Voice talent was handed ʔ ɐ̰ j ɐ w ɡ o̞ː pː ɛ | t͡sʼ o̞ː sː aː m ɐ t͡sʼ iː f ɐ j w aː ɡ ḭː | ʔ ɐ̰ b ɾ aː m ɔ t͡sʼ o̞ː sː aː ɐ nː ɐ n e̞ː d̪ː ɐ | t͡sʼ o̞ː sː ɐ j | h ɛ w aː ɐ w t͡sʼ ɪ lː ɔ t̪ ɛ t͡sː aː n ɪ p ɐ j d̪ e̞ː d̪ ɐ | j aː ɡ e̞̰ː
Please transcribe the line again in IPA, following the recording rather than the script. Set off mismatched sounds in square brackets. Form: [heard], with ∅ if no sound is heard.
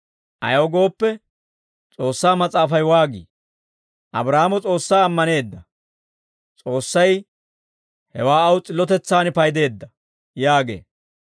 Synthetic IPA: ʔ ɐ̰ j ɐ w ɡ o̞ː pː ɛ | t͡sʼ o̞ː sː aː m ɐ t͡sʼ [aː] f ɐ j w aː ɡ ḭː | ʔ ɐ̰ b ɾ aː m ɔ t͡sʼ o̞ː sː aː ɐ [mː] ɐ n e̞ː d̪ː ɐ | t͡sʼ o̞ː sː ɐ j | h ɛ w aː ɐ w t͡sʼ ɪ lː ɔ t̪ ɛ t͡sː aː n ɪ p ɐ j d̪ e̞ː [d̪ː] ɐ | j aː ɡ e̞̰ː